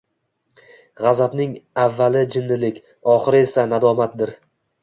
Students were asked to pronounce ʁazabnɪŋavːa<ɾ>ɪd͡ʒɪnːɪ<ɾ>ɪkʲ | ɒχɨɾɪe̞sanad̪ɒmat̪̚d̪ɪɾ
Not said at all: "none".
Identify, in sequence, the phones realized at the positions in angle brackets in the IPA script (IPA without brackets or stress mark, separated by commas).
l, l